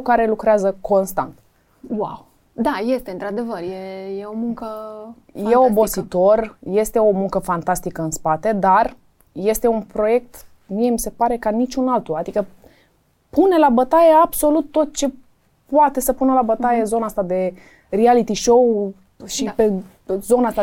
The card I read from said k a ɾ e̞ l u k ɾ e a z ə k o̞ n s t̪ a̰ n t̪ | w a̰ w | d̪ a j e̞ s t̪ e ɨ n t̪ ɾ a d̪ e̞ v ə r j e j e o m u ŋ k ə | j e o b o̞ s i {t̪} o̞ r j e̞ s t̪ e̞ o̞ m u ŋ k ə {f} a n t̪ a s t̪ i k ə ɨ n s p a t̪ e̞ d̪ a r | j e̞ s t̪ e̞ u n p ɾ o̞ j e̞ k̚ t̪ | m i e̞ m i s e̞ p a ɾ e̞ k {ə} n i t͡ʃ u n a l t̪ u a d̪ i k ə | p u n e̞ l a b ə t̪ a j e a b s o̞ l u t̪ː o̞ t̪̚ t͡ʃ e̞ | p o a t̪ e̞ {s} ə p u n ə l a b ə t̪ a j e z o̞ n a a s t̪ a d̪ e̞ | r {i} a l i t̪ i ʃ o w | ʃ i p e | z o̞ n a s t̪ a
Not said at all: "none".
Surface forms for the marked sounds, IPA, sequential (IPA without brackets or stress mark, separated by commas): t̪, f, a, s, i